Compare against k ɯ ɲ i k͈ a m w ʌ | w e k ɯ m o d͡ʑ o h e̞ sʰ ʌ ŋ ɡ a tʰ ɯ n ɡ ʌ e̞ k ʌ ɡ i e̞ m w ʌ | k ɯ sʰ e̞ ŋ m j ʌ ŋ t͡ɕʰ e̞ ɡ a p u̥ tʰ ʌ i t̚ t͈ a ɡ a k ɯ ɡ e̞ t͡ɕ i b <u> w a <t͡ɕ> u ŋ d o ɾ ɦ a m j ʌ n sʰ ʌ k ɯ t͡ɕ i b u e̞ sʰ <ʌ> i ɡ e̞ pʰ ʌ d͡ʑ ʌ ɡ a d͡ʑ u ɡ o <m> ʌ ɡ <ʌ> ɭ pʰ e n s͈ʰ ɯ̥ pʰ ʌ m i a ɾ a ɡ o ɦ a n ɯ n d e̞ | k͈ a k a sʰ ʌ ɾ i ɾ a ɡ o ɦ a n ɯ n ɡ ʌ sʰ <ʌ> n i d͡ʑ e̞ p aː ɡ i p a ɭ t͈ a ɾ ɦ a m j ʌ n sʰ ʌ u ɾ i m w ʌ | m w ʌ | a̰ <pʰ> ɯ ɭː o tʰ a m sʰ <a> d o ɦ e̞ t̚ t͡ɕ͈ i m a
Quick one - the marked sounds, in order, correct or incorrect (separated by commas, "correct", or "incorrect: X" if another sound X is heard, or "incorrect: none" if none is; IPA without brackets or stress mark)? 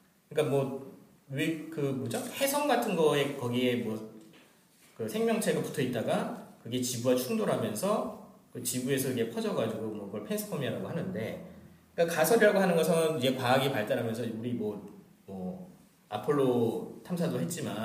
correct, incorrect: t͡ɕʰ, correct, correct, correct, correct, correct, correct